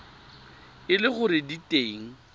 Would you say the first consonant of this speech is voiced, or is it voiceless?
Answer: voiced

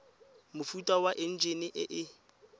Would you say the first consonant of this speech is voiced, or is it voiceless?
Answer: voiced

